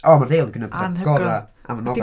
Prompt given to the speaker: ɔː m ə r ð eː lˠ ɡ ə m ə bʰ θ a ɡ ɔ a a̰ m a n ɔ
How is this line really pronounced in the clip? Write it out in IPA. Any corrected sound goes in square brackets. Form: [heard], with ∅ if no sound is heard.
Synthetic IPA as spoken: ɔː m [a] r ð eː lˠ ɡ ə [n] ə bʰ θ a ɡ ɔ a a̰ m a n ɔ